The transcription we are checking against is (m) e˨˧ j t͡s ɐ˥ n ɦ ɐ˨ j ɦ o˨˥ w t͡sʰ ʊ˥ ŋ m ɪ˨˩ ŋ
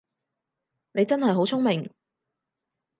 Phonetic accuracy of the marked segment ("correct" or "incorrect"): incorrect